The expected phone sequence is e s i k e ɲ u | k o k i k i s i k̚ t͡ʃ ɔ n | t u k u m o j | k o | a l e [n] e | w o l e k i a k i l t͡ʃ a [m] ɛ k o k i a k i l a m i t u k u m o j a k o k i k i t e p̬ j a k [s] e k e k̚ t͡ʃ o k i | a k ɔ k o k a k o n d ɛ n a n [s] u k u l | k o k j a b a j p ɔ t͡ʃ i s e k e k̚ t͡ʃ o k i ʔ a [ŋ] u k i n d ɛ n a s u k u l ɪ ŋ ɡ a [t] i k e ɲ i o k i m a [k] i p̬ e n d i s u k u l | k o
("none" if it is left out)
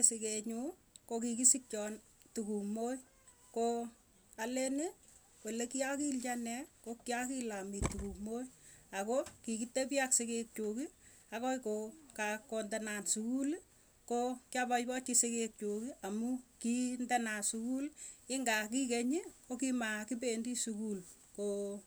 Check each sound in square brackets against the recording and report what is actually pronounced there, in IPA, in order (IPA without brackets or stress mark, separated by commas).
n, n, s, s, m, k, k